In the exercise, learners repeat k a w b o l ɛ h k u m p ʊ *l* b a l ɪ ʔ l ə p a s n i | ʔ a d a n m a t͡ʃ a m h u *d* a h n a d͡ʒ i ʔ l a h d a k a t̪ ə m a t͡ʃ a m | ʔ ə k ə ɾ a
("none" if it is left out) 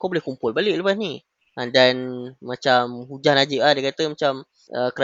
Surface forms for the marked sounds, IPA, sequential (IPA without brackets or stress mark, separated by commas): l, d͡ʒ